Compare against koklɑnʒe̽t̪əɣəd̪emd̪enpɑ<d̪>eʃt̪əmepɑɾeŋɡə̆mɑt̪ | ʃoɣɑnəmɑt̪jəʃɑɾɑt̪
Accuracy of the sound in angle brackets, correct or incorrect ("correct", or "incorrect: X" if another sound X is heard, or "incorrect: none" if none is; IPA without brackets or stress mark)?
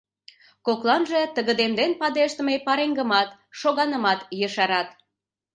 correct